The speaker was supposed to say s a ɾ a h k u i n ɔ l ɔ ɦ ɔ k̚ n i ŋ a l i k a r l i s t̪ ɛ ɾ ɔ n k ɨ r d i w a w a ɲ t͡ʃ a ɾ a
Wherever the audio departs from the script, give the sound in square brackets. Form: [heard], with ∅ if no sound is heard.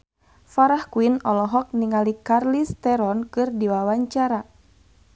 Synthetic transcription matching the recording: [f] a ɾ a h k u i n ɔ l ɔ ɦ ɔ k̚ n i ŋ a l i k a r l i s t̪ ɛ ɾ ɔ n k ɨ r d i w a w a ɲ t͡ʃ a ɾ a